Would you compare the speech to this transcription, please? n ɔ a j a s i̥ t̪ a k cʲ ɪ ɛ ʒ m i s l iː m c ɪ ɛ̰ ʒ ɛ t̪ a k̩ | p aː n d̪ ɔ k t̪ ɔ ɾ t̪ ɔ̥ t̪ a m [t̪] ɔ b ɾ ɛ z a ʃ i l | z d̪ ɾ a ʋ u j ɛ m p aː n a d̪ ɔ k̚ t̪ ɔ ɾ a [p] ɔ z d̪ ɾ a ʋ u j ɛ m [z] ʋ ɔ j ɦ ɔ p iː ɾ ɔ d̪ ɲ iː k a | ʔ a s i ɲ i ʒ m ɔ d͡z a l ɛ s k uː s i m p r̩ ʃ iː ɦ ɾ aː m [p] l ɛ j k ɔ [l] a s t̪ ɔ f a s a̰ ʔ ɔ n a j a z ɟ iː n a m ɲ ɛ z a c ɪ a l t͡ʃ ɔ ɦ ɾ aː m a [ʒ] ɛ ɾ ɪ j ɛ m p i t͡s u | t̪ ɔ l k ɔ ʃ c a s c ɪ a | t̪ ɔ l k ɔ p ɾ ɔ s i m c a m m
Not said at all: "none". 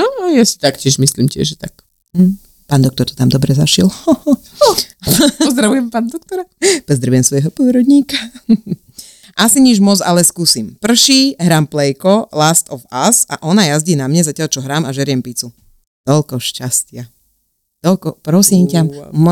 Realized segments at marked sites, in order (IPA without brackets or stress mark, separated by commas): d̪, p, s, p, l, ʒ